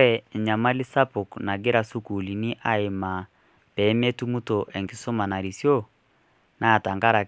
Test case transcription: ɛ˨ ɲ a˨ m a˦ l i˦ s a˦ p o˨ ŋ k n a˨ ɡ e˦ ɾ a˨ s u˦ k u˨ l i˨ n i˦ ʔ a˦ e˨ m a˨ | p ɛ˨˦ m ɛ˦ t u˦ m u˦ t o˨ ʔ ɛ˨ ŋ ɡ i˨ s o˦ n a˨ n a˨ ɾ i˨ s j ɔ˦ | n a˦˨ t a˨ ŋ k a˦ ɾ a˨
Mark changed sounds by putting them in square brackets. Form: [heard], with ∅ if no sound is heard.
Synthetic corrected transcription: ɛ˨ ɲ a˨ m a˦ l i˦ s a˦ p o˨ [∅] k n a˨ ɡ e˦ ɾ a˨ s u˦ k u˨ l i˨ n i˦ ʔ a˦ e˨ m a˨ | p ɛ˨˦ m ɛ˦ t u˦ m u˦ t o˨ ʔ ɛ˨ ŋ ɡ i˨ s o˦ [m] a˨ n a˨ ɾ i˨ s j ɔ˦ | n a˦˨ t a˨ ŋ [ɡ] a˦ ɾ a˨